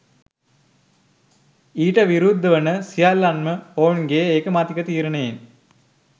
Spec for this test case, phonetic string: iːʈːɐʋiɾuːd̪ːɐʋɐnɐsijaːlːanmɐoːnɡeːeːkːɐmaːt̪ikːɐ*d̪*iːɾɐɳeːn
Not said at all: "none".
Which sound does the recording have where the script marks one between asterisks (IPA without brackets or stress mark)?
t̪